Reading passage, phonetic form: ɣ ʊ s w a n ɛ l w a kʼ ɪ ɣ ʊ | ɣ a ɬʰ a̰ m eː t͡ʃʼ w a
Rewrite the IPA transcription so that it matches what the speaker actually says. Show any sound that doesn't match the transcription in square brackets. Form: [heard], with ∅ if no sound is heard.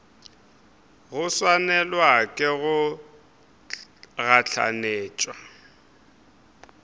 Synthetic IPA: ɣ ʊ s w a n ɛ l w a kʼ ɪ ɣ ʊ | ɣ a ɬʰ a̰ [n] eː t͡ʃʼ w a